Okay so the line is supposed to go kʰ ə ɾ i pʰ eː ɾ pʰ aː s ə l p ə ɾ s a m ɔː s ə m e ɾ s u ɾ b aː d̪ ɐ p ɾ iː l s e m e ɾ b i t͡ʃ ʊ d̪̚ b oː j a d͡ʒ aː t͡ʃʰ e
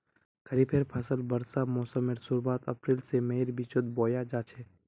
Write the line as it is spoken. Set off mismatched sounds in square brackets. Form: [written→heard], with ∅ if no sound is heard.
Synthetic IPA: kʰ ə ɾ i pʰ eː ɾ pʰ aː s ə l [p→b] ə ɾ s a m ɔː s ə m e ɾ s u ɾ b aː [d̪→t̪] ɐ p ɾ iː l s e m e ɾ b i t͡ʃ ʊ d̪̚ b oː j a d͡ʒ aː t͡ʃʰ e